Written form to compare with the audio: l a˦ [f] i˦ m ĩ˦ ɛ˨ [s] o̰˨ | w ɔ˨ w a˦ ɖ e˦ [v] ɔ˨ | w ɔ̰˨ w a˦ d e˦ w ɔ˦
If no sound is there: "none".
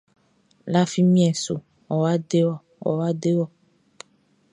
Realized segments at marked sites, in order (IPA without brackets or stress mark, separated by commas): f, s, w